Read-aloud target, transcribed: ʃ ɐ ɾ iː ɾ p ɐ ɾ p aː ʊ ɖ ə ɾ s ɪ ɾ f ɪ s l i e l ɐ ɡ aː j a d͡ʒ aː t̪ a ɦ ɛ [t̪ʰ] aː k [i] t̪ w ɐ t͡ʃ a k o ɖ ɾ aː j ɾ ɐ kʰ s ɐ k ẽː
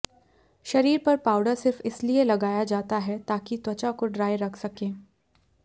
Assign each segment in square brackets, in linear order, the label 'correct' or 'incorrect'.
incorrect: t̪, correct

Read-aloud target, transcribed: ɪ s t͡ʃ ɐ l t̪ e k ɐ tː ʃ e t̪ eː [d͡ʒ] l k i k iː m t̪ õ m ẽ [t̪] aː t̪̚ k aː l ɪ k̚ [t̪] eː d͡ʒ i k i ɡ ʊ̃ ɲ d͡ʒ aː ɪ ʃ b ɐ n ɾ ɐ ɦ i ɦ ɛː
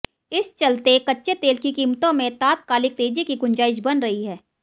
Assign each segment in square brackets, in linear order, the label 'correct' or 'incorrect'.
incorrect: none, correct, correct

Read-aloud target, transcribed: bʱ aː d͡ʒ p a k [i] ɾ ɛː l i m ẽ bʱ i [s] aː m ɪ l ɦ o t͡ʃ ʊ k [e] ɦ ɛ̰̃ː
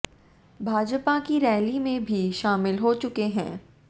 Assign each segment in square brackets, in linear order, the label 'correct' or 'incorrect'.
correct, incorrect: ʃ, correct

